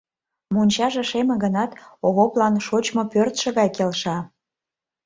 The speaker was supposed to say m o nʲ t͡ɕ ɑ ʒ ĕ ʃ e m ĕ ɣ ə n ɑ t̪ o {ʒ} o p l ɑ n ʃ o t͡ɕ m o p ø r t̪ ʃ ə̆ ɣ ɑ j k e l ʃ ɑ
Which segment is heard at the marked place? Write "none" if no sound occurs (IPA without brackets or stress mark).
ɣ